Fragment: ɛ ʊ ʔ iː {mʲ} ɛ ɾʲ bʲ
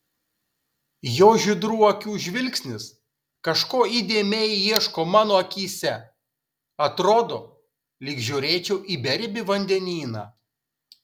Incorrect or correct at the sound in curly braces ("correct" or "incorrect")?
incorrect